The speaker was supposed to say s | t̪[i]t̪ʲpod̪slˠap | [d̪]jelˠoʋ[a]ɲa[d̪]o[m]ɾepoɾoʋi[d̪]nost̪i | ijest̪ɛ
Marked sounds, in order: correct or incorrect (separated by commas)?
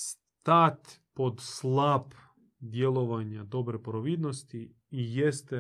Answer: incorrect, correct, correct, correct, incorrect, correct